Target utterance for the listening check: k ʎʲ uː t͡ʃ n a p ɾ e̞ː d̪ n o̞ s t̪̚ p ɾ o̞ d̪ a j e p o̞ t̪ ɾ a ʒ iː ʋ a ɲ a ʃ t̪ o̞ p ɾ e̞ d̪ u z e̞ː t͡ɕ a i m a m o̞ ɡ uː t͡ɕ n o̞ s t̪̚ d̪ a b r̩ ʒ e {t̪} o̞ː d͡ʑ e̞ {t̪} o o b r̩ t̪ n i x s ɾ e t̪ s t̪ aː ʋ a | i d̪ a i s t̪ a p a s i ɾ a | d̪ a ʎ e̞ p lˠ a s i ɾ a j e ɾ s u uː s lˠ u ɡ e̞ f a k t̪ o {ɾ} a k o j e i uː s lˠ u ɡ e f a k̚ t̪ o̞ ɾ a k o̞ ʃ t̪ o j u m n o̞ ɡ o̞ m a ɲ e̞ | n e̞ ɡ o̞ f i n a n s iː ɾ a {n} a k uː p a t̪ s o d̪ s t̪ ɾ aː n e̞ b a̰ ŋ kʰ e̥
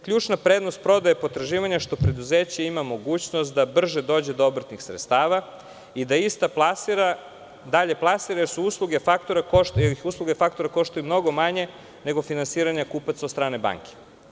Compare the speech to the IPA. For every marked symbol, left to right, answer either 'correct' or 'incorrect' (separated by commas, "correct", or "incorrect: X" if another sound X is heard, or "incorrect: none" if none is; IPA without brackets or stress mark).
incorrect: d̪, incorrect: d̪, correct, incorrect: ɲ